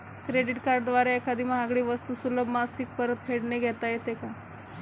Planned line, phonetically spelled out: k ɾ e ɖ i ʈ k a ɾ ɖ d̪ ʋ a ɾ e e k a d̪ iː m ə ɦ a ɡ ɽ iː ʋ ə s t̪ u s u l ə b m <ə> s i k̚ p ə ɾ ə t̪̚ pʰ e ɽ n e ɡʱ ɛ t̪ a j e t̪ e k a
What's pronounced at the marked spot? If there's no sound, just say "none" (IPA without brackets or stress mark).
a